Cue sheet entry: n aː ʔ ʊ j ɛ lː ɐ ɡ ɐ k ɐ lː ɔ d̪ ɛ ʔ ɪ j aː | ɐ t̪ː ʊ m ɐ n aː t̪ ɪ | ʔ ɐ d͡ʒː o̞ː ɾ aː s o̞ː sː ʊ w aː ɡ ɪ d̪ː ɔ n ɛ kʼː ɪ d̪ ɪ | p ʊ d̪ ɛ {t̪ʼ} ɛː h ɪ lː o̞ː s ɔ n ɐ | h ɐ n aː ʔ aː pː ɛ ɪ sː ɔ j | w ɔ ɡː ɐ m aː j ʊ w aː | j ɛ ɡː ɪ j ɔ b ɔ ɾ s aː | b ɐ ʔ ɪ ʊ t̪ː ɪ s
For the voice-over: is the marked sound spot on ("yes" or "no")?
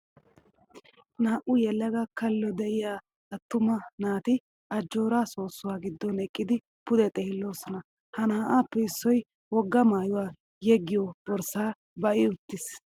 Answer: yes